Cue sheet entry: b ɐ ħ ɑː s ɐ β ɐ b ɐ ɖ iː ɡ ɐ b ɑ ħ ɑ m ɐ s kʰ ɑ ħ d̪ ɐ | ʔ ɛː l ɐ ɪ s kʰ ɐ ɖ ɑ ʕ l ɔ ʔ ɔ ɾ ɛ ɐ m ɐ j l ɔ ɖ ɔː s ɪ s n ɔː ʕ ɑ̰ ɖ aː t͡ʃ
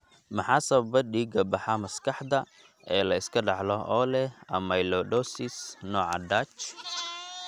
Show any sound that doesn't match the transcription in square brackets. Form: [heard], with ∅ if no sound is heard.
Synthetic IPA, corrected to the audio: [m] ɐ ħ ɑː s ɐ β ɐ b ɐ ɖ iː ɡ ɐ b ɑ ħ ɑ m ɐ s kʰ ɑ ħ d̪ ɐ | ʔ ɛː l ɐ ɪ s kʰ ɐ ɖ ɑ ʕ l ɔ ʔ ɔ [l] ɛ ɐ m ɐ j l ɔ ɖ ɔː s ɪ s n ɔː ʕ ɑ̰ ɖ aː t͡ʃ